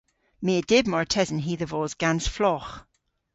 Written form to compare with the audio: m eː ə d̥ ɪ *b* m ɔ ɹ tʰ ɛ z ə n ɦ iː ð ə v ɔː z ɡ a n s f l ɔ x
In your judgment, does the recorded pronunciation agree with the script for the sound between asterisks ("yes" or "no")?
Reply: yes